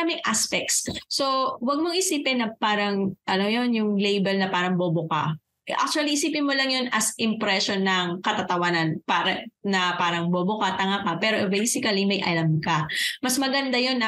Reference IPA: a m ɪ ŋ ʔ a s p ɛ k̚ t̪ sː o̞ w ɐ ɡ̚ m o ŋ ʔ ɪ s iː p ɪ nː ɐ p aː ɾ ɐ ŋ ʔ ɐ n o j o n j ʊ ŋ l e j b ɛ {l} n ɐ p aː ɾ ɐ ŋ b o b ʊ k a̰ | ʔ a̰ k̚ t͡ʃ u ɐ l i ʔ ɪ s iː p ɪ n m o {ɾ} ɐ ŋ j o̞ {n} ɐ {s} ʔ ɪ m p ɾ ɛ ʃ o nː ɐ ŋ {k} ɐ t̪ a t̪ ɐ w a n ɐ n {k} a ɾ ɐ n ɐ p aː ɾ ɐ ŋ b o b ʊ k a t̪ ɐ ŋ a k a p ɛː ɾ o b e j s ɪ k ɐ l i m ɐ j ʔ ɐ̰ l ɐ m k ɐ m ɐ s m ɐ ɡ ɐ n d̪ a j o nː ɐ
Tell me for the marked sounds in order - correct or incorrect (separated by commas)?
correct, incorrect, correct, correct, correct, incorrect